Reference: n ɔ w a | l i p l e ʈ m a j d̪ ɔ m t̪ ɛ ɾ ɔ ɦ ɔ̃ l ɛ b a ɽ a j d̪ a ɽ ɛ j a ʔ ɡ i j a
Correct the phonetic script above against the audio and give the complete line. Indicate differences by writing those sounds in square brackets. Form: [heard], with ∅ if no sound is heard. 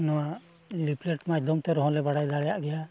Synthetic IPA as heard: n ɔ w a | l i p l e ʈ m a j d̪ ɔ m t̪ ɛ ɾ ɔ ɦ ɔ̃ l ɛ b a ɽ a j d̪ a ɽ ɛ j a ʔ ɡ [ɛ] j a